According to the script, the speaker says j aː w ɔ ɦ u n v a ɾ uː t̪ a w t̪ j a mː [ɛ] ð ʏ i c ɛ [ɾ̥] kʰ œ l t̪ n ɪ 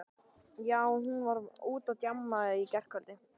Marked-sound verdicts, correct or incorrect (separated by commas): incorrect, incorrect